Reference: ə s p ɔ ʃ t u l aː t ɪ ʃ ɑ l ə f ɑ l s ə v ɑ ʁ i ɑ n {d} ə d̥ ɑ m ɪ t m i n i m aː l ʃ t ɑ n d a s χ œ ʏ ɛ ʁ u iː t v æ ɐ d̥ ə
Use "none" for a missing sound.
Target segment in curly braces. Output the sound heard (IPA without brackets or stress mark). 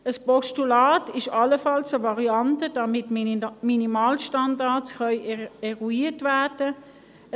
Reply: t